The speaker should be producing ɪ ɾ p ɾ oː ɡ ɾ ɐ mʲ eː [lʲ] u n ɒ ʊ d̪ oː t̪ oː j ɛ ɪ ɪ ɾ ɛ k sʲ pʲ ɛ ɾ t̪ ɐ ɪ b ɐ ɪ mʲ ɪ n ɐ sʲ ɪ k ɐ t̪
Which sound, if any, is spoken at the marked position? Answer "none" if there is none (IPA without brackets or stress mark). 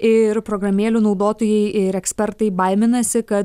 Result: lʲ